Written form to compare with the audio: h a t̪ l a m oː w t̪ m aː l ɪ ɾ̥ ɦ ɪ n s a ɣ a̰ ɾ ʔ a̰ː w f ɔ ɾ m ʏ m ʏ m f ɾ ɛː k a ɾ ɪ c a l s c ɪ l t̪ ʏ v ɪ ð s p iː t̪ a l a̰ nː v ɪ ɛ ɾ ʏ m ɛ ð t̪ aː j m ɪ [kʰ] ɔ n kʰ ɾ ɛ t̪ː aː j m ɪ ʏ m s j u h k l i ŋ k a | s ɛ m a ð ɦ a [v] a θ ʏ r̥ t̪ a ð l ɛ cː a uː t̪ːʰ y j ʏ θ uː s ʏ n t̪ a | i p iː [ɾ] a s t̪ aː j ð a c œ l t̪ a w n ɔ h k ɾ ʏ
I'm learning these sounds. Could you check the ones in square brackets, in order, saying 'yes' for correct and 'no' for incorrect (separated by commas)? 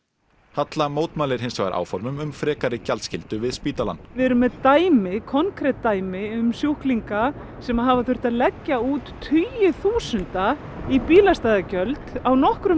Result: yes, yes, no